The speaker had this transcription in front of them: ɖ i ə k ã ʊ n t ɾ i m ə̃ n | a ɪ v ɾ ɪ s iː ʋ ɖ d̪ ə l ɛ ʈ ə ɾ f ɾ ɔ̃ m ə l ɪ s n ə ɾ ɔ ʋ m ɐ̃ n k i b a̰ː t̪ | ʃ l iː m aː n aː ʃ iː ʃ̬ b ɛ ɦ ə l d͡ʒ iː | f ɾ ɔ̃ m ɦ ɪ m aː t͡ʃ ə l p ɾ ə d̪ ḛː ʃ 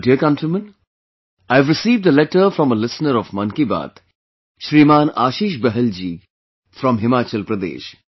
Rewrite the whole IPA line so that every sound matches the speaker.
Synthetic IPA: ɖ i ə k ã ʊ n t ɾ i m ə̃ n | a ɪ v ɾ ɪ s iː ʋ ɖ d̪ ə l ɛ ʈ ə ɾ f ɾ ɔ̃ m ə l ɪ s n ə ɾ ɔ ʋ m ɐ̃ n k i b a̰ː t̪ | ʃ ɾ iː m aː n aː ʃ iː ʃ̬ b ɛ ɦ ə l d͡ʒ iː | f ɾ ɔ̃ m ɦ ɪ m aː t͡ʃ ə l p ɾ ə d̪ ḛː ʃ